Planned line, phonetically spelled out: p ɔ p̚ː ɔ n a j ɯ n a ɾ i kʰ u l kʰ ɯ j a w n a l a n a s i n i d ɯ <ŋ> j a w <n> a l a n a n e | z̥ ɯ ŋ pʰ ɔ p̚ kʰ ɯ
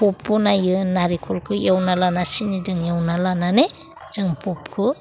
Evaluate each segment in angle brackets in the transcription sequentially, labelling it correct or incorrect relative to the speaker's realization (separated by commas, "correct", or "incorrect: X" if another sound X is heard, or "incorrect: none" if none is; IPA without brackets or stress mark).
correct, correct